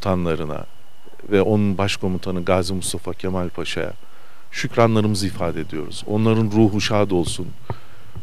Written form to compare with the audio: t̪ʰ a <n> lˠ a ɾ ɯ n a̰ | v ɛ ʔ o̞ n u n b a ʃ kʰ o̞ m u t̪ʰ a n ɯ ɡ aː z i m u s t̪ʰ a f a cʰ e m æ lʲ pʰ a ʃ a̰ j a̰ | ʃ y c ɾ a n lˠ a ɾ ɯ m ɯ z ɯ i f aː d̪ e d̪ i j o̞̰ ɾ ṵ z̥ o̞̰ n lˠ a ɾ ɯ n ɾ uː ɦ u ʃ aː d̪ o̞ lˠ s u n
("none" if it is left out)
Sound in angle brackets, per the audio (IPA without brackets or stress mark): n